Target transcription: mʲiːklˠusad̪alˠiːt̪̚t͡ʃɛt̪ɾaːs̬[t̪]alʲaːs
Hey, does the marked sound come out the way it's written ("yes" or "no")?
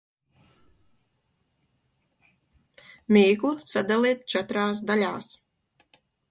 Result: no